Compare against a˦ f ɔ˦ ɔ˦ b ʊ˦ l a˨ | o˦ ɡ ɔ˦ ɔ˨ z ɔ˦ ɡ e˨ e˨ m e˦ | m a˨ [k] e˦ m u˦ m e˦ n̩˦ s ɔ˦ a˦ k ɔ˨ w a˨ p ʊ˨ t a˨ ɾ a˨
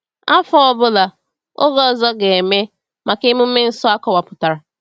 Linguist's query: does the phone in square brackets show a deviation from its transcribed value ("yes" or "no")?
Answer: no